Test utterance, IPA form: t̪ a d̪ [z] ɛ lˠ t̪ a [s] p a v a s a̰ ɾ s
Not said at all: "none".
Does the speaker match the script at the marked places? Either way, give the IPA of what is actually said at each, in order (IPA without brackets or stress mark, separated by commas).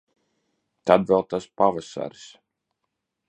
v, s